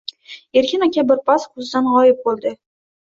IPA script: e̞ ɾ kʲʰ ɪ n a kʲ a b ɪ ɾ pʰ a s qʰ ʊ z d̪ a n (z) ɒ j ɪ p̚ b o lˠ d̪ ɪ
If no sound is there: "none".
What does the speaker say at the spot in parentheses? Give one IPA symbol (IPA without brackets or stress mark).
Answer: ʁ